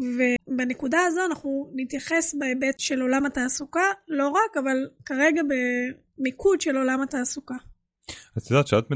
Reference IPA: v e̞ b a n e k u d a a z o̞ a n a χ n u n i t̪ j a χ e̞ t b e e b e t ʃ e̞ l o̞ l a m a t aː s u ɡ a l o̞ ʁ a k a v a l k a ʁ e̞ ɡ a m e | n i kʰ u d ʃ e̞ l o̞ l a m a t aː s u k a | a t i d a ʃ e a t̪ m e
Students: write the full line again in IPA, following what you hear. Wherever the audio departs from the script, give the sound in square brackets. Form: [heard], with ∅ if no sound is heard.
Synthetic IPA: v e̞ b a n e k u d a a z o̞ a n a χ n u n i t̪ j a χ e̞ [s] b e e b e t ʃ e̞ l o̞ l a m a t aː s u [k] a l o̞ ʁ a k a v a l k a ʁ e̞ ɡ a [b] e | [m] i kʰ u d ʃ e̞ l o̞ l a m a t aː s u k a | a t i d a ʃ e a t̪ m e